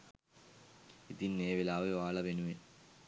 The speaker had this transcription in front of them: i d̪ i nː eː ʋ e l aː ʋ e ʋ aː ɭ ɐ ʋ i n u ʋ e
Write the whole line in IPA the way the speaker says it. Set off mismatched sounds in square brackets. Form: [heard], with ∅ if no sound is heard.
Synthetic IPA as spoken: i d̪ i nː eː ʋ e l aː ʋ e ʋ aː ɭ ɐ ʋ [e] n u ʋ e